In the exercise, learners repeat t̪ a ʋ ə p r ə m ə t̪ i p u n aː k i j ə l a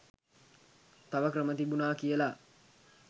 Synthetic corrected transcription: t̪ a ʋ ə k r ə m ə t̪ i b u n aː k i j ə l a